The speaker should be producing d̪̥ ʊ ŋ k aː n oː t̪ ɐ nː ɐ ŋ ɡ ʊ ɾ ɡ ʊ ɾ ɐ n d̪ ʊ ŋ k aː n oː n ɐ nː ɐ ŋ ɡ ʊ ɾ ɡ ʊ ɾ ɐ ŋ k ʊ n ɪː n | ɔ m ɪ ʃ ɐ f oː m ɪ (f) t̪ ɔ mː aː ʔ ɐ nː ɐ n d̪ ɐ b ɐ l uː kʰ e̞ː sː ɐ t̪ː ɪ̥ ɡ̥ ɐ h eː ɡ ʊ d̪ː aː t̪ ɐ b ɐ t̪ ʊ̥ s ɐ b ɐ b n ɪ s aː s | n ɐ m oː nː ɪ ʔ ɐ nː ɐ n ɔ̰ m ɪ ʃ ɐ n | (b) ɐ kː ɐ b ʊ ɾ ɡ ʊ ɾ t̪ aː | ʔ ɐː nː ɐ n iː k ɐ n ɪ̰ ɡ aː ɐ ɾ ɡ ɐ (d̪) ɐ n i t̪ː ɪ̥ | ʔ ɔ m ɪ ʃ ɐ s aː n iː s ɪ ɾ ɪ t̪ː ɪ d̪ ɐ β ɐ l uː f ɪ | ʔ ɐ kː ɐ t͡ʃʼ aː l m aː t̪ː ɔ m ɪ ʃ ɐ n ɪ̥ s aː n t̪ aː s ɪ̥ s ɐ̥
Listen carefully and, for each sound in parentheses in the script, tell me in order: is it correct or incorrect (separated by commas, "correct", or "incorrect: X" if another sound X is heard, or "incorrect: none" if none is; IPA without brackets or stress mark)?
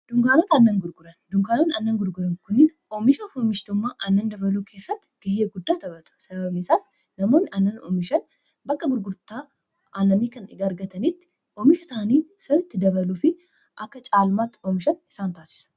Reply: incorrect: ʃ, correct, incorrect: t̪